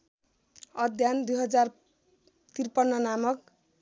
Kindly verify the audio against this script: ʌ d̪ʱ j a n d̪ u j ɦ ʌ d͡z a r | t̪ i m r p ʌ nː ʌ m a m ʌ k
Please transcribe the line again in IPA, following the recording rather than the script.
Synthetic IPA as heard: ʌ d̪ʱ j a n d̪ u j ɦ ʌ d͡z a r | t̪ i r p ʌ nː ʌ n a m ʌ k